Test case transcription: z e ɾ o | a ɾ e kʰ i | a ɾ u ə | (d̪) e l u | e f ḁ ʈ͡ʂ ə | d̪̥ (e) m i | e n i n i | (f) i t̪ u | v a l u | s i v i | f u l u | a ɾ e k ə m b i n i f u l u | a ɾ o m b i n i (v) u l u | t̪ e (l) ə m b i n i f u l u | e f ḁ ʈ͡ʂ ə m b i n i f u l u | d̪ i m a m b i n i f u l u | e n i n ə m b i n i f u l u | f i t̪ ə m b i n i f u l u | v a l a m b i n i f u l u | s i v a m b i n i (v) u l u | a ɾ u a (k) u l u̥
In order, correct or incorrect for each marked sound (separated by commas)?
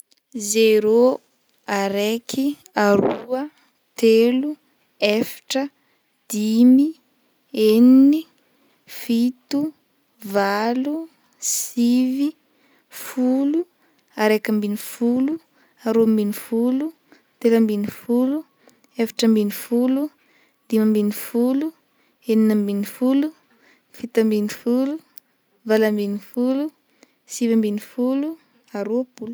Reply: incorrect, incorrect, correct, incorrect, correct, incorrect, incorrect